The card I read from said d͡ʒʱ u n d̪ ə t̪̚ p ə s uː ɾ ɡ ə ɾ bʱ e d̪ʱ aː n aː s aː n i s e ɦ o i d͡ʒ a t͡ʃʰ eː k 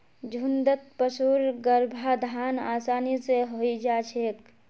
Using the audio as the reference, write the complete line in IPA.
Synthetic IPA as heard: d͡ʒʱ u n d̪ ə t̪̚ p ə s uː ɾ ɡ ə ɾ bʱ a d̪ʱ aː n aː s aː n i s e ɦ o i d͡ʒ a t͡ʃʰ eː k